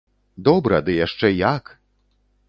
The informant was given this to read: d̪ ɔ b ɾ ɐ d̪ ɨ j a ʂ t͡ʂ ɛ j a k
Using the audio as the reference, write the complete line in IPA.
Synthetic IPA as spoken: d̪ ɔ b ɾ ɐ d̪ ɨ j a ʂ t͡ʂ ɛ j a k